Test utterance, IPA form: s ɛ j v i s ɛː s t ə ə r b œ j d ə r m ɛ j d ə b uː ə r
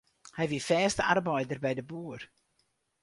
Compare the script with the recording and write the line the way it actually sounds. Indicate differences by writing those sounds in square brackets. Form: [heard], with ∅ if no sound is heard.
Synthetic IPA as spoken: [h] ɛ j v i [f] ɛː s t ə [a] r b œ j d ə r [b] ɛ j d ə b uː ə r